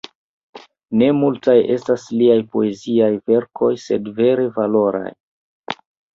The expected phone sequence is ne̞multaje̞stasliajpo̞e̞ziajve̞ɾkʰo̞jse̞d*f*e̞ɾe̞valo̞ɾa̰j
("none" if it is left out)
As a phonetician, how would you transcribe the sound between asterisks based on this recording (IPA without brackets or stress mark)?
v